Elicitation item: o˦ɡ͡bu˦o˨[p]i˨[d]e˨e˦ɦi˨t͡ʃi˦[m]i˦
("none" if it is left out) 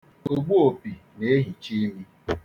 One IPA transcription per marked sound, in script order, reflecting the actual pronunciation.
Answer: p, n, m

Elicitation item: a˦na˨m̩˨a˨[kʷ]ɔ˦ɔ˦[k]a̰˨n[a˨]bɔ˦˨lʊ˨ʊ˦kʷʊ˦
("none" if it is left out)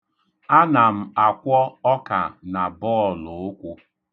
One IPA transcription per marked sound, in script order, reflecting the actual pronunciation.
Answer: kʷ, k, a˨

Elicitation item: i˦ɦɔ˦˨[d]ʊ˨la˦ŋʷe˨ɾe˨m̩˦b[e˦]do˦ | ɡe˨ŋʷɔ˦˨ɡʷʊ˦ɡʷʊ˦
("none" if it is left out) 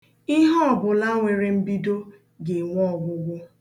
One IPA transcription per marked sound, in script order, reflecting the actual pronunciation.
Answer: b, i˦

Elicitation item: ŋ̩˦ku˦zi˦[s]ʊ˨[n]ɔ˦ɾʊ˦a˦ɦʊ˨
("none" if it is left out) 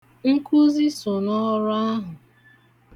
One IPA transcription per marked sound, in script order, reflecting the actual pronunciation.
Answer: s, n

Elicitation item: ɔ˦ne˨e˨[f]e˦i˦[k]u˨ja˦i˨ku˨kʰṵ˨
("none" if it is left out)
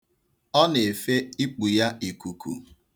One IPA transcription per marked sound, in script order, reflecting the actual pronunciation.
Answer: f, k͡p

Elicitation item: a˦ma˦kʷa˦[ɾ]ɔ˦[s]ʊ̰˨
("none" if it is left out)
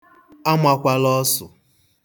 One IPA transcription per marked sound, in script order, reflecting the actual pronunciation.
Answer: l, s

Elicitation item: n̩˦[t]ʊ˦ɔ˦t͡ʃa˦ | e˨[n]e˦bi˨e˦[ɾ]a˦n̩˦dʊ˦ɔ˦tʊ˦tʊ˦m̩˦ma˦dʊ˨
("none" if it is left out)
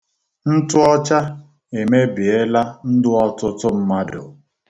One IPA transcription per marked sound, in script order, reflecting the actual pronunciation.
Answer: t, m, l

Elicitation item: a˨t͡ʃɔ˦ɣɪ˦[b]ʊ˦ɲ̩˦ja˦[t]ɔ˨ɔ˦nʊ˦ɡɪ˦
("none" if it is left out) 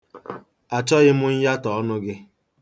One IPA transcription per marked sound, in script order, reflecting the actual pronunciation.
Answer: m, t

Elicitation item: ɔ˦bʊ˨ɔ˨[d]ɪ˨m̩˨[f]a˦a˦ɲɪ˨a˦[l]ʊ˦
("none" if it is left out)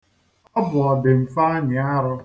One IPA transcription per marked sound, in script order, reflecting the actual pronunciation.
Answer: d, f, ɾ

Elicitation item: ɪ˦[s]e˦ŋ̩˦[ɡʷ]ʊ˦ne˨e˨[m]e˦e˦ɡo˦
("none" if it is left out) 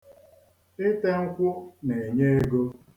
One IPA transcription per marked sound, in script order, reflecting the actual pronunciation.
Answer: t, kʷ, ɲ

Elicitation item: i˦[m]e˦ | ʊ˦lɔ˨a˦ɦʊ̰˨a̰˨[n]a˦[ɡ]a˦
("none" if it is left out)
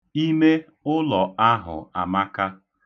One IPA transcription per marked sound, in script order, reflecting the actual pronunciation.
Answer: m, m, k

